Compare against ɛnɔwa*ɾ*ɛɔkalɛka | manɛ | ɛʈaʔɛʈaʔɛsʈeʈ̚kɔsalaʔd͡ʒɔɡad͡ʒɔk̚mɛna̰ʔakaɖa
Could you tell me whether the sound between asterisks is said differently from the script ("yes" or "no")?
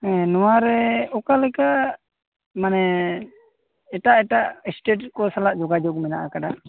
no